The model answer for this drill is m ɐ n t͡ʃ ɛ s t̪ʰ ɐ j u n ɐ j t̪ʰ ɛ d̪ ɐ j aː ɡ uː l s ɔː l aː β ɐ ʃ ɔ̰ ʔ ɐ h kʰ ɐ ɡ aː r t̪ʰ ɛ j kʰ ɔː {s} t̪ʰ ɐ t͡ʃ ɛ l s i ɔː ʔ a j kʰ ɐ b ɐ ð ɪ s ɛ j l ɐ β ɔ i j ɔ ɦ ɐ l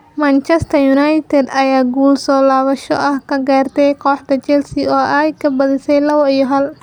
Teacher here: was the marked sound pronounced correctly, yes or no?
no